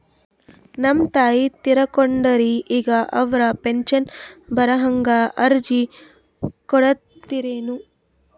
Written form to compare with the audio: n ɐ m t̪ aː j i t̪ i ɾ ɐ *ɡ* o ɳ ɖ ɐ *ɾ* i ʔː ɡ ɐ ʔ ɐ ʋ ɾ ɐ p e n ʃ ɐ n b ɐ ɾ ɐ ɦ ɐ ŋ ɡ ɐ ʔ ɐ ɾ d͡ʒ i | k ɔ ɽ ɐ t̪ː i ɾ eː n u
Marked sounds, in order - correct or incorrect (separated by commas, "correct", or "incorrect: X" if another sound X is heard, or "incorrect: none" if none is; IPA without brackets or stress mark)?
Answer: incorrect: k, correct